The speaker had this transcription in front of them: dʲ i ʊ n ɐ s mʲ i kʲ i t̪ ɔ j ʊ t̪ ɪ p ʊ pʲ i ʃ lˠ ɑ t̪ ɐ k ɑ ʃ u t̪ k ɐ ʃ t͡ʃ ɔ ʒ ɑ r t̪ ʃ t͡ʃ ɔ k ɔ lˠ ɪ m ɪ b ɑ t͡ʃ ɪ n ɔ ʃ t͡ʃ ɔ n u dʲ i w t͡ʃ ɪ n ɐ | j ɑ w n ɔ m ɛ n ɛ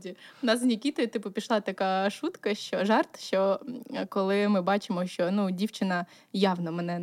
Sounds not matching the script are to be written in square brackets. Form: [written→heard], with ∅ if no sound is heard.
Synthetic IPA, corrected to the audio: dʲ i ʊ n [ɐ→ɑ] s [mʲ→nʲ] i kʲ i t̪ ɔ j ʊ t̪ ɪ p ʊ pʲ i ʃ lˠ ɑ t̪ ɐ k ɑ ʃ u t̪ k ɐ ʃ t͡ʃ ɔ ʒ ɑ r t̪ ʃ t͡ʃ ɔ k ɔ lˠ ɪ m ɪ b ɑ t͡ʃ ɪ [n→m] ɔ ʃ t͡ʃ ɔ n u dʲ i w t͡ʃ ɪ n ɐ | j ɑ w n ɔ m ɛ n ɛ